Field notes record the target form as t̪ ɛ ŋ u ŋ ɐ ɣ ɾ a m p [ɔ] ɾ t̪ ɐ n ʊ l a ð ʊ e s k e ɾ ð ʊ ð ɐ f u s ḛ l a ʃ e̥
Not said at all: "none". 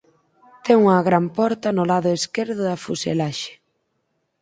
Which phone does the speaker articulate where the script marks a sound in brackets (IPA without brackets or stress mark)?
ɔ